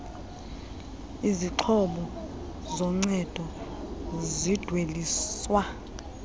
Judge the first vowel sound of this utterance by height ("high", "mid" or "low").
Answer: high